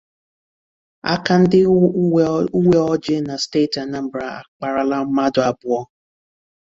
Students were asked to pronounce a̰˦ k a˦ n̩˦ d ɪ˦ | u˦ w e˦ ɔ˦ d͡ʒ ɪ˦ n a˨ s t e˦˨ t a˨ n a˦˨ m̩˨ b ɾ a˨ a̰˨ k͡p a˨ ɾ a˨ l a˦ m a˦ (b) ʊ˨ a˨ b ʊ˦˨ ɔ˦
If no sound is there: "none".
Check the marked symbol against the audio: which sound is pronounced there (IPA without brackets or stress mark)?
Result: d